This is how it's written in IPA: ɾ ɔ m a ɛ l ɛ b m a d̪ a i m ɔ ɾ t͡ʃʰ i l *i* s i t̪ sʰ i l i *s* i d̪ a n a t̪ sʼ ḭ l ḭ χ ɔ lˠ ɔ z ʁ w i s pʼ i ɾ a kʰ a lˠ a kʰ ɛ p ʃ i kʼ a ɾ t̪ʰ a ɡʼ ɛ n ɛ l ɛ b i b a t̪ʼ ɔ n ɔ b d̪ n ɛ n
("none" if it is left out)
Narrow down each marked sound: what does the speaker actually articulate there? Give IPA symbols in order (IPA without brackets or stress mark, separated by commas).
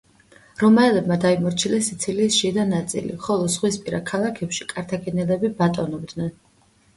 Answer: ɛ, ʃ